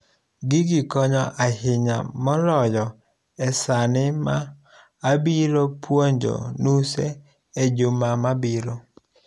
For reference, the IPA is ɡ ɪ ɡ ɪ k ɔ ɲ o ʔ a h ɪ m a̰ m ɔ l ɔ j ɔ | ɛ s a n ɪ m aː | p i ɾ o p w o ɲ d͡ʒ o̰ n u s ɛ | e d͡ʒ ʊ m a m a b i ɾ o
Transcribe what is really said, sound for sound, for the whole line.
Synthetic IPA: ɡ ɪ ɡ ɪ k ɔ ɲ ɔ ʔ a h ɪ ɲ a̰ m ɔ l ɔ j ɔ | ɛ s a n ɪ m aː | b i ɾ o p w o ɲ d͡ʒ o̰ n u s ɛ | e d͡ʒ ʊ m a m a b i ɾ o